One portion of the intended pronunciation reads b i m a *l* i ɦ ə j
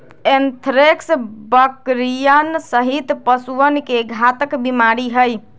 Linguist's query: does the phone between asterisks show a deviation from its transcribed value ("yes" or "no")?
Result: yes